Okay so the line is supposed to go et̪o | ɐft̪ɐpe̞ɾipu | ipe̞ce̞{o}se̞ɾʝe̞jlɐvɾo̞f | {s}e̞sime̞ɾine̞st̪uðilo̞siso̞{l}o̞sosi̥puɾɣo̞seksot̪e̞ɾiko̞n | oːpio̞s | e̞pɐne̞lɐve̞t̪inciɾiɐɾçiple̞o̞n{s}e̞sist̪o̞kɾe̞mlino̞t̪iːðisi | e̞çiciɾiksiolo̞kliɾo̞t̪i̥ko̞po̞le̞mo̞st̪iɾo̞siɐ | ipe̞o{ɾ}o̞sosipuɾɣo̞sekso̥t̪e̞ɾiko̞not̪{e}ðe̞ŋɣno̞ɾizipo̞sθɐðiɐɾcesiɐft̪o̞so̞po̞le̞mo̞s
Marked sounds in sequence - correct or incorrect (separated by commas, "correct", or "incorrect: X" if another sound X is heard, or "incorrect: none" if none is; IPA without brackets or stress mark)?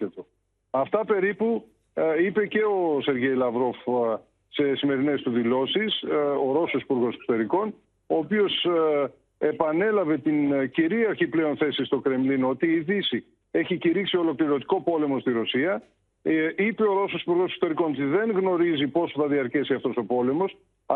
correct, correct, incorrect: ɾ, incorrect: θ, correct, incorrect: i